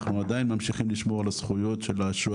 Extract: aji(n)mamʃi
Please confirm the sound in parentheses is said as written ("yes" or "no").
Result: yes